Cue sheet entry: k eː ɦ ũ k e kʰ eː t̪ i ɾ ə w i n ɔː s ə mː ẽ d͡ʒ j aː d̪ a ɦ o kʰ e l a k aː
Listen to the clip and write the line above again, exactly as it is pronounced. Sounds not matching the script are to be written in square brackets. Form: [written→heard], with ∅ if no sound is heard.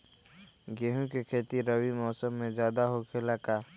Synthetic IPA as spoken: [k→ɡ] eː ɦ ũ k e kʰ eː t̪ i ɾ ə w i [n→m] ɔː s ə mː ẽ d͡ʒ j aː d̪ a ɦ o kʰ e l a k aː